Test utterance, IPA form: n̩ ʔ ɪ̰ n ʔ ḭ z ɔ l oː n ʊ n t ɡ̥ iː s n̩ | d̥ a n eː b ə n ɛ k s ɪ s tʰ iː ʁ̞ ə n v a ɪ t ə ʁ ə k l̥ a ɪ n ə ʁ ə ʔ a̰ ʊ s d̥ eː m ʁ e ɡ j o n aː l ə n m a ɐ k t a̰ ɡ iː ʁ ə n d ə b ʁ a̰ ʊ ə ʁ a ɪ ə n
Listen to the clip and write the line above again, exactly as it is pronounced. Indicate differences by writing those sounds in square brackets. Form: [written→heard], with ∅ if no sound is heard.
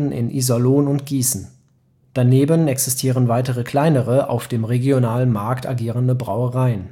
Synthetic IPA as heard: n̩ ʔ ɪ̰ n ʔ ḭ z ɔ l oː n ʊ n t ɡ̥ iː s n̩ | d̥ a n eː b ə n ɛ k s ɪ s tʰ iː ʁ̞ ə n v a ɪ t ə ʁ ə k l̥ a ɪ n ə ʁ ə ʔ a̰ ʊ [s→f] d̥ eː m ʁ e ɡ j o n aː l ə n m a ɐ k t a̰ ɡ iː ʁ ə n d ə b ʁ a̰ ʊ ə ʁ a ɪ ə n